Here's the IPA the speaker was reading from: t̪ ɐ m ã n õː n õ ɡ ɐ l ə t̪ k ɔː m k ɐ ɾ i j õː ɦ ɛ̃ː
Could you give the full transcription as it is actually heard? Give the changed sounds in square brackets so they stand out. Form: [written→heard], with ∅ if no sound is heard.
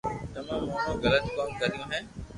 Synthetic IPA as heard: t̪ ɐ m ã [n→m] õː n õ ɡ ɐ l ə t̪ k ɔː m k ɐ ɾ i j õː ɦ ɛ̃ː

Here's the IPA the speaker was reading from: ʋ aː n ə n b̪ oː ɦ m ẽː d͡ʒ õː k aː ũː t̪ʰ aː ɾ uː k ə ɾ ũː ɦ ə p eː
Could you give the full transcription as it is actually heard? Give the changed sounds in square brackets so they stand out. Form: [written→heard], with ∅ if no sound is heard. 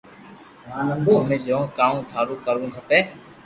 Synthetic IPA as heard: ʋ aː n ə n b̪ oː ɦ m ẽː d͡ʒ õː k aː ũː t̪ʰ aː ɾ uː k ə ɾ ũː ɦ ə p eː

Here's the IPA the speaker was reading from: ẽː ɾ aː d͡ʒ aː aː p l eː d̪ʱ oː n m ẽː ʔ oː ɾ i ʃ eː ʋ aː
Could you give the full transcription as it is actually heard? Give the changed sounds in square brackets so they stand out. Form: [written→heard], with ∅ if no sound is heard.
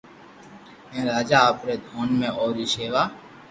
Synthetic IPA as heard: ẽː ɾ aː d͡ʒ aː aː p [l→ɾ] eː d̪ʱ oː n m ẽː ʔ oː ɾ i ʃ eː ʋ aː

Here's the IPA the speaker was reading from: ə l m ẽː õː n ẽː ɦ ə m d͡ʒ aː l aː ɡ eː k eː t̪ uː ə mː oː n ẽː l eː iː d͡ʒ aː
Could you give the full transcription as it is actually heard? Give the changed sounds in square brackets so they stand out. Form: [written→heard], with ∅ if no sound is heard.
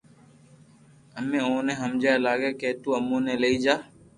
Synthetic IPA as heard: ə [l→∅] m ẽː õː n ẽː ɦ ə m d͡ʒ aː l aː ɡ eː k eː t̪ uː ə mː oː n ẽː l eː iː d͡ʒ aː

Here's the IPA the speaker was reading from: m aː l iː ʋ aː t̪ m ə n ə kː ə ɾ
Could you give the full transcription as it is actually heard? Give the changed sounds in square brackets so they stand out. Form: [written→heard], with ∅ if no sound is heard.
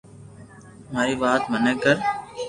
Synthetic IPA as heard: m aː [l→ɾ] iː ʋ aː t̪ m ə n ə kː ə ɾ

